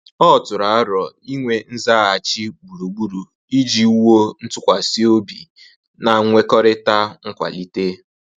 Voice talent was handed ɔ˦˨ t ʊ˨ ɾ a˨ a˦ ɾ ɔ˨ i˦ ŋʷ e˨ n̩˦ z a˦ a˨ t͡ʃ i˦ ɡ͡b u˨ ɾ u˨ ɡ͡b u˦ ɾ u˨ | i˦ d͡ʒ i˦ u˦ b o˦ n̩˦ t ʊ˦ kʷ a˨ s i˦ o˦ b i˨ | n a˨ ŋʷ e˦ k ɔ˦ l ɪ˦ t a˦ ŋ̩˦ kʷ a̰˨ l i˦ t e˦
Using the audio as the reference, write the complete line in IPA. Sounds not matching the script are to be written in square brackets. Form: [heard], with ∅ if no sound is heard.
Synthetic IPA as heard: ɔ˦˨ t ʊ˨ ɾ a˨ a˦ ɾ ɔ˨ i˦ ŋʷ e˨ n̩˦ z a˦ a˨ t͡ʃ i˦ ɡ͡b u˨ ɾ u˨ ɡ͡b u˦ ɾ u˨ | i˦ d͡ʒ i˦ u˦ [w] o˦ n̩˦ t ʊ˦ kʷ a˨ s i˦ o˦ b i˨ | n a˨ ŋʷ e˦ k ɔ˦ [ɾ] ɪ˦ t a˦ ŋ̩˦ kʷ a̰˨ l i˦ t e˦